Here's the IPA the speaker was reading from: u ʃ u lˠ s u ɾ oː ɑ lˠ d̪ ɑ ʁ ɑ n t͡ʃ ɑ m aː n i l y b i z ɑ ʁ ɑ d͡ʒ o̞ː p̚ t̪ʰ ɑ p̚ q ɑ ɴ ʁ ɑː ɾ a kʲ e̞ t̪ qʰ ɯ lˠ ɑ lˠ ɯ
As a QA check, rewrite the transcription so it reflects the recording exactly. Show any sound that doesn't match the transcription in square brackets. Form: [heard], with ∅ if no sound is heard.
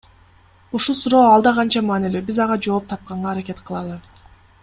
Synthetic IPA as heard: u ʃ u lˠ s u ɾ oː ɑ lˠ d̪ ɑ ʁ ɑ n t͡ʃ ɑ m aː n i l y b i z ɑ ʁ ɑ d͡ʒ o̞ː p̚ t̪ʰ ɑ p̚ q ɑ ɴ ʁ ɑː ɾ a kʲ e̞ t̪ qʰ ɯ lˠ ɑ lˠ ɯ